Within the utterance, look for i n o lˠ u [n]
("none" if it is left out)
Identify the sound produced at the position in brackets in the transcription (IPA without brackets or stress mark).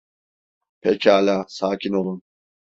n